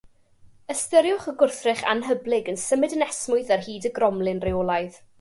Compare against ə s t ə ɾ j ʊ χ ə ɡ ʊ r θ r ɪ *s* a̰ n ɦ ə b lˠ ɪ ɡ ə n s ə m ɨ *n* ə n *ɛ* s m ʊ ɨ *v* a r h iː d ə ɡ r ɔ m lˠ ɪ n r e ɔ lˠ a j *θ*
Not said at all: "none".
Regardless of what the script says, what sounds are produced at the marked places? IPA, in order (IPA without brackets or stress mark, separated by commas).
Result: χ, d, ɛ, ð, ð